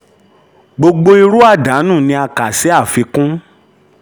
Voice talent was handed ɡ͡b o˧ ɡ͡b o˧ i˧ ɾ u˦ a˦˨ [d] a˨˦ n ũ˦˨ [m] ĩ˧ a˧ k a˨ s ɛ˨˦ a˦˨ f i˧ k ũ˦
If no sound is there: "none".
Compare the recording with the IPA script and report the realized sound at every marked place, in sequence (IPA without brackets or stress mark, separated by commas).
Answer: d, n